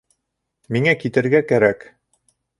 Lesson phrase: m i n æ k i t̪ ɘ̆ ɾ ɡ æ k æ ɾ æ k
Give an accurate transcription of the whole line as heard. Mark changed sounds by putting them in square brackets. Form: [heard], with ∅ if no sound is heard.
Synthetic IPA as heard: m i [ŋ] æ k i t̪ ɘ̆ ɾ ɡ æ k æ ɾ æ k